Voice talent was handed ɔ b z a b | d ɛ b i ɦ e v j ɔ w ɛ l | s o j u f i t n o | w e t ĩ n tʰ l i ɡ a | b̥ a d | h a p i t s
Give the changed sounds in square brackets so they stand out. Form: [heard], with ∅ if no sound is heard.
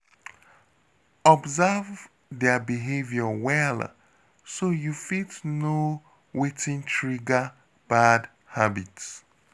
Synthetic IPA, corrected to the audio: ɔ b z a [v] | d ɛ b i ɦ e v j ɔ w ɛ l | s o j u f i t n o | w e t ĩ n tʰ [ɹ] i ɡ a | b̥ a d | h a [b] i t s